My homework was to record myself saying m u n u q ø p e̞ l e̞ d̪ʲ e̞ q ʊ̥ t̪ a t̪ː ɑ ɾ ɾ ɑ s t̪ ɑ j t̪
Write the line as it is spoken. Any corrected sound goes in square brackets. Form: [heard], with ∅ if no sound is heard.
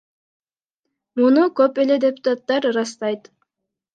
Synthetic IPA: m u n u [k] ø p e̞ l e̞ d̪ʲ e̞ [p] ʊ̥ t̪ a t̪ː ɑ ɾ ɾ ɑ s t̪ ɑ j t̪